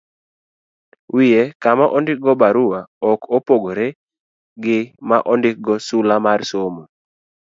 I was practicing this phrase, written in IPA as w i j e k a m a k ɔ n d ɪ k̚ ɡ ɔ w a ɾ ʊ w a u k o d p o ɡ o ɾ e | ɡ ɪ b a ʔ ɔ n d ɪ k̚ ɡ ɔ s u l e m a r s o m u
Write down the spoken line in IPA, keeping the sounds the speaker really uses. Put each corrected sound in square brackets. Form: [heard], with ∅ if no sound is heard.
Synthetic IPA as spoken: w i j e k a m a [ʔ] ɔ n d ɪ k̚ ɡ ɔ [b] a ɾ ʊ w a [ɔ] k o [∅] p o ɡ o ɾ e | ɡ ɪ [m] a ʔ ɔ n d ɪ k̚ ɡ ɔ s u l [a] m a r s o m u